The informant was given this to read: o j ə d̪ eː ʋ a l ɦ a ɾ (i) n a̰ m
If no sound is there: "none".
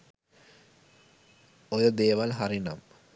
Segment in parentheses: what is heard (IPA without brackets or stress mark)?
i